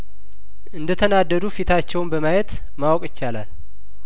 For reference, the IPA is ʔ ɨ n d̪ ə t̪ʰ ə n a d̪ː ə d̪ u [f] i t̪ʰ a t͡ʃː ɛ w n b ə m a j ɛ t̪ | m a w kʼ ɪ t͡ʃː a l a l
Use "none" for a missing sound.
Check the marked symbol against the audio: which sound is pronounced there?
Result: f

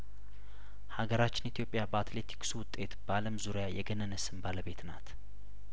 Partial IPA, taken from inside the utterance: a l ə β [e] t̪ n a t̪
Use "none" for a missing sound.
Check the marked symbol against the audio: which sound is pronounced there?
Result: e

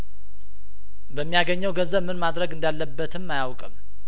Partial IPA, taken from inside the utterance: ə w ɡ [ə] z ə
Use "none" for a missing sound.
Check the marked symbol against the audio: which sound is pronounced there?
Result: ə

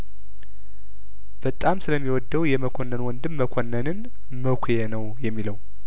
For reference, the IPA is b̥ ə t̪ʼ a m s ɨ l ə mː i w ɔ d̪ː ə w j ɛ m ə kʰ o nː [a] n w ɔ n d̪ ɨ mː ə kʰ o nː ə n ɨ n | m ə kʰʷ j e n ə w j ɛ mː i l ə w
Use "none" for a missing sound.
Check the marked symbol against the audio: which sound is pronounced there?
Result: ə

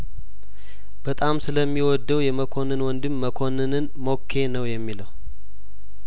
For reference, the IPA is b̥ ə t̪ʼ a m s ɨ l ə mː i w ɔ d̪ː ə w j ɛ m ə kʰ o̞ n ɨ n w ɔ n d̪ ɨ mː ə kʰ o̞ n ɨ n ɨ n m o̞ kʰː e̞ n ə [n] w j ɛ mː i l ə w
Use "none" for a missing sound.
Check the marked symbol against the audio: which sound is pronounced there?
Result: none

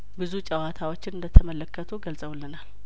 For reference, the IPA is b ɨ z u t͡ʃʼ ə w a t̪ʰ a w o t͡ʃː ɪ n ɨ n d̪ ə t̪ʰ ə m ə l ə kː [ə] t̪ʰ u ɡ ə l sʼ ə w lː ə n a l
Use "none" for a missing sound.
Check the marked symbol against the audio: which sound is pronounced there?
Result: ə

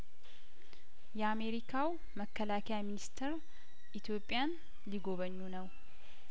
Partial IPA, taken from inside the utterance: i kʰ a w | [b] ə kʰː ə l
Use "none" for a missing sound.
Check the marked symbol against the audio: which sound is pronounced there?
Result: m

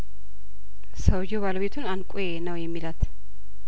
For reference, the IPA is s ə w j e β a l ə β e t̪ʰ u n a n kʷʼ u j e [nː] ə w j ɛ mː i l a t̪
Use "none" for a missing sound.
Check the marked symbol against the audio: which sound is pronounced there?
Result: n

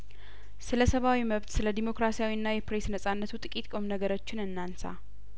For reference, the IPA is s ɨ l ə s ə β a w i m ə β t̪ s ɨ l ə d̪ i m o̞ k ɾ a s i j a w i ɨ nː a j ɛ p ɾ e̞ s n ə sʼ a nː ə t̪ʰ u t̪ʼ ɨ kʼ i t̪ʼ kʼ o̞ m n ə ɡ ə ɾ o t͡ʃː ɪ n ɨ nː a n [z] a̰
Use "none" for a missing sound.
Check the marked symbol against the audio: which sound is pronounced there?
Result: s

